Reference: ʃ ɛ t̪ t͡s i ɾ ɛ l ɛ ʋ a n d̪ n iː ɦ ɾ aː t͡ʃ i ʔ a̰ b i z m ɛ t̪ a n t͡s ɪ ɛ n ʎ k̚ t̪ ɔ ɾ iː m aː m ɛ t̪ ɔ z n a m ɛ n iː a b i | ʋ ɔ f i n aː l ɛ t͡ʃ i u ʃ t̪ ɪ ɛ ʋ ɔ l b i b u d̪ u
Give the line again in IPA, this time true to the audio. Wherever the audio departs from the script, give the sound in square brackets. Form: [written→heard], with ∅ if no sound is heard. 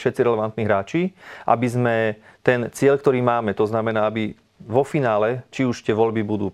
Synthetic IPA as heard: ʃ ɛ t̪ t͡s i ɾ ɛ l ɛ ʋ a n [d̪→t̪] n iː ɦ ɾ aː t͡ʃ i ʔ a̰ b i z m ɛ t̪ [a→ɛ] n t͡s ɪ ɛ [n→∅] ʎ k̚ t̪ ɔ ɾ iː m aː m ɛ t̪ ɔ z n a m ɛ n [iː→aː] a b i | ʋ ɔ f i n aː l ɛ t͡ʃ i u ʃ t̪ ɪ ɛ ʋ ɔ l b i b u d̪ [u→uː]